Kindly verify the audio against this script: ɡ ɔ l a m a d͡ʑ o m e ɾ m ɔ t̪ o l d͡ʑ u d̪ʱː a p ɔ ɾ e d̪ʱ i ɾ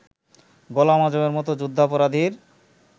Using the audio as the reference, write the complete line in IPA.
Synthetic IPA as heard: ɡ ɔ l a m a d͡ʑ o m e ɾ m ɔ t̪ o d͡ʑ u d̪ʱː a p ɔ ɾ a d̪ʱ i ɾ